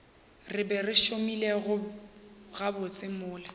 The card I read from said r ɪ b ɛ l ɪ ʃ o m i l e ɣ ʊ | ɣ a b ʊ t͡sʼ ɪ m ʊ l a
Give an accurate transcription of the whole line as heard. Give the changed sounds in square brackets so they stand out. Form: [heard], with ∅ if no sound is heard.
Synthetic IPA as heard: r ɪ b ɛ [r] ɪ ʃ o m i l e ɣ ʊ | ɣ a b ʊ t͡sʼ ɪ m [ʊː] l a